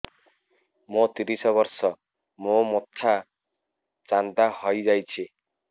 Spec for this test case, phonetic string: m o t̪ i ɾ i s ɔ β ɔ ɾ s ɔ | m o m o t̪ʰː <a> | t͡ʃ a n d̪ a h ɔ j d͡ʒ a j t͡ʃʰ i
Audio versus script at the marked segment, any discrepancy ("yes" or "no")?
no